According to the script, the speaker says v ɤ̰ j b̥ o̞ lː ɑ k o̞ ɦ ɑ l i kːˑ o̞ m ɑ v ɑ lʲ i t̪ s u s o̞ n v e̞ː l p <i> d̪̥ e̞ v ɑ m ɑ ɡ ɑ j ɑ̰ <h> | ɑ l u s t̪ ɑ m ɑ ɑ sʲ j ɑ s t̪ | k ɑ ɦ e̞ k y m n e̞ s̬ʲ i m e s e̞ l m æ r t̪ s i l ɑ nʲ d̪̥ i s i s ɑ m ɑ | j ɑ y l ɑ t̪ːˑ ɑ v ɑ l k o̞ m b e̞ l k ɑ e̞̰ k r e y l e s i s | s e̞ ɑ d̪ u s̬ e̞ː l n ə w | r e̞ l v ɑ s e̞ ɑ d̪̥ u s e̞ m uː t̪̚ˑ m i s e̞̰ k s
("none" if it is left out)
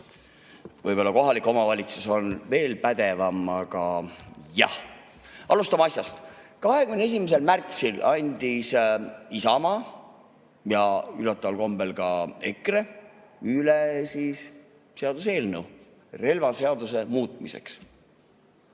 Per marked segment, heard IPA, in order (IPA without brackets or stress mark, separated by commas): æ, h